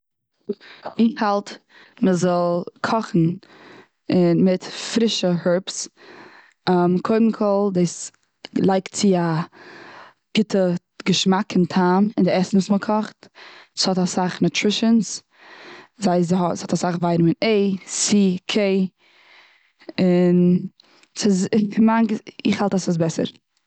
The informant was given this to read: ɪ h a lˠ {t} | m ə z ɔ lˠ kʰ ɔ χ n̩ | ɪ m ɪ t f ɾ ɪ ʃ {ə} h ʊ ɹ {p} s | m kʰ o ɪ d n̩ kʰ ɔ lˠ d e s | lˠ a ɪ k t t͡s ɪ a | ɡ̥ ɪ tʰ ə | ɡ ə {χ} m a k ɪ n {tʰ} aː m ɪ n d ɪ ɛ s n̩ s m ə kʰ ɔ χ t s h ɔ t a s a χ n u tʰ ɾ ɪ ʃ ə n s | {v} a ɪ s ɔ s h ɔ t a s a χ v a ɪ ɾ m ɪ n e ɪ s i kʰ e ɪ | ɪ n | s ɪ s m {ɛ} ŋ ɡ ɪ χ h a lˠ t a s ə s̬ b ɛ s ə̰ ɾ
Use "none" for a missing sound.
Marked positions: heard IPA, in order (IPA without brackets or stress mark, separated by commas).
t, ə, p, ʃ, tʰ, z, a